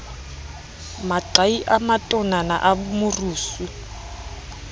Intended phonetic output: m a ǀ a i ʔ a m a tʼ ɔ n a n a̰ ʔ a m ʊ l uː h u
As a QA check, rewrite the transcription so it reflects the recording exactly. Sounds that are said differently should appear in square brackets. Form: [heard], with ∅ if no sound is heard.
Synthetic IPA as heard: m a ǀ a i ʔ a m a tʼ ɔ n a n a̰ ʔ a m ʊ [r] uː [s] u